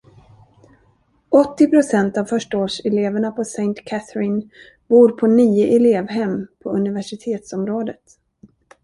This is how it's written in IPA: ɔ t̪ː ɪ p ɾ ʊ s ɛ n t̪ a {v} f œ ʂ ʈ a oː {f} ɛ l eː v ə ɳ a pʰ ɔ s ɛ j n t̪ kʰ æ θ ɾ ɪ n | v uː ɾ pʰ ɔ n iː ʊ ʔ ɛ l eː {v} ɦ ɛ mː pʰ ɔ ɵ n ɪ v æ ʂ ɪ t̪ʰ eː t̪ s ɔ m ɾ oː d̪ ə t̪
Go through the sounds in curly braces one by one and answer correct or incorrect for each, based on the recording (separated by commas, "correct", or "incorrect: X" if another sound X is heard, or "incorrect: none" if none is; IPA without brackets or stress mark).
correct, incorrect: ʂ, correct